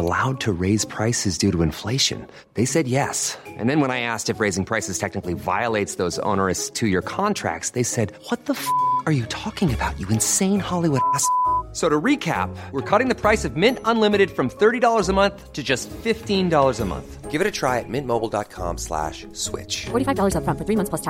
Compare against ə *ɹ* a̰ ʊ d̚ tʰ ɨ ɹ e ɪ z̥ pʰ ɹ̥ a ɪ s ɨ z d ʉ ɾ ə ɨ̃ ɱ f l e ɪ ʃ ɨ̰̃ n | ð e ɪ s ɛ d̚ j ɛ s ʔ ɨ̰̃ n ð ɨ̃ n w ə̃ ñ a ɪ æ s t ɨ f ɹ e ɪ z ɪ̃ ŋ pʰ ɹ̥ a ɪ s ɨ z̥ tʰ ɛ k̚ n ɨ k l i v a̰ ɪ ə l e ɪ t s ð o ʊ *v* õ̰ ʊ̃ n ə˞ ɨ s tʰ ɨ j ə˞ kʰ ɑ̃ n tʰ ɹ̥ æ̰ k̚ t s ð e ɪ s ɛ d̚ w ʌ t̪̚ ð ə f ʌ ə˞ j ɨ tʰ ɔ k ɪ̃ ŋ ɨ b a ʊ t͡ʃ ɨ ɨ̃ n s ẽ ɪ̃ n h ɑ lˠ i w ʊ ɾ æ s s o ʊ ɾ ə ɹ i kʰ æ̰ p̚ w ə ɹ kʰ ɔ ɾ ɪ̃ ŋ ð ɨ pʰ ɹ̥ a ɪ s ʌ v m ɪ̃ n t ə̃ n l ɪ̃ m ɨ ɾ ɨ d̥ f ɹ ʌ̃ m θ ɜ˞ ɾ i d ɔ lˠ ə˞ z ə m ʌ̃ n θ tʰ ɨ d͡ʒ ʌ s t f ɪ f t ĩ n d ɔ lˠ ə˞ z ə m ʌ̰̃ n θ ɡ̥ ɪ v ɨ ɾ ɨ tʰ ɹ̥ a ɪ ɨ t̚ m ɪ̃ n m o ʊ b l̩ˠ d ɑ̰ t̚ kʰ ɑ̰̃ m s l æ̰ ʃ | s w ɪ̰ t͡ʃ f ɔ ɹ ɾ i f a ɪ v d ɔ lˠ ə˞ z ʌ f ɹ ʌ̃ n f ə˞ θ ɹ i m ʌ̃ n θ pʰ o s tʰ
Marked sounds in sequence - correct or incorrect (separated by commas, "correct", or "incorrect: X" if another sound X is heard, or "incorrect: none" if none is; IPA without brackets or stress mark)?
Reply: incorrect: l, incorrect: z